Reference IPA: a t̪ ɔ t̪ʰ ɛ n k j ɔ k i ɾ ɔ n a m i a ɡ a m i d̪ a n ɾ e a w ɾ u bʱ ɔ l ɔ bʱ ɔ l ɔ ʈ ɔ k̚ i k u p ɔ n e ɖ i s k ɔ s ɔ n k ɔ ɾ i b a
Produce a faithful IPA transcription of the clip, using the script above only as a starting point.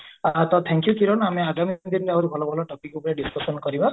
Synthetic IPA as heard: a t̪ ɔ t̪ʰ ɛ ŋ k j u k i ɾ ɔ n a m e a ɡ a m i d̪ i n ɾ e a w ɾ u bʱ ɔ l ɔ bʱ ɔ l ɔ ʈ ɔ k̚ i k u p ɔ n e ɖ i s k ɔ s ɔ n k ɔ ɾ i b a